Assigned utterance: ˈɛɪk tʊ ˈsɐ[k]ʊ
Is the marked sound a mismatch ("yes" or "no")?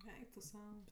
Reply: yes